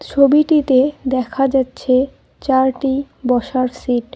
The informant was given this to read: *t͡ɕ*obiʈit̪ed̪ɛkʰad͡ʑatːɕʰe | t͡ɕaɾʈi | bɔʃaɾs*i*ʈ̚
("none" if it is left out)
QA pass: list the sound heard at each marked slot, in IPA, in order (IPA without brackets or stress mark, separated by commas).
t͡ɕʰ, i